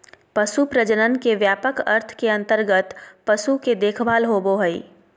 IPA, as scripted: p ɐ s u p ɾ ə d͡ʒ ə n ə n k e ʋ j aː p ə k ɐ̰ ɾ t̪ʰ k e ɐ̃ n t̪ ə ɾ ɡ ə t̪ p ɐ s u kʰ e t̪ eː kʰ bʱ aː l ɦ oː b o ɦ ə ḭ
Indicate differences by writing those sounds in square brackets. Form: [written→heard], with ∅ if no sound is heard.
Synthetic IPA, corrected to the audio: p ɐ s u p ɾ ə d͡ʒ ə n ə n k e ʋ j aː p ə k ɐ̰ ɾ t̪ʰ k e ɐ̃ n t̪ ə ɾ ɡ ə t̪ p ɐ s u [kʰ→k] e [t̪→d̪] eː kʰ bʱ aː l ɦ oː b o ɦ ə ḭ